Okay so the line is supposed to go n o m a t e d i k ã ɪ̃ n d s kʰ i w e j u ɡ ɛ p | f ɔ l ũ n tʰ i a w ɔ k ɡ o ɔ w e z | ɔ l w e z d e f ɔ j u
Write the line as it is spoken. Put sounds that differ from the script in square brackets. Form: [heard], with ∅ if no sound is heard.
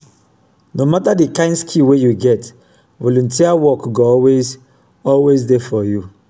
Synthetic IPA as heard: n o m a t [a] d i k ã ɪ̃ n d s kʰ i w e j u ɡ ɛ [t] | [v] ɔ l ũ n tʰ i a w ɔ k ɡ o ɔ w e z | ɔ l w e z d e f ɔ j u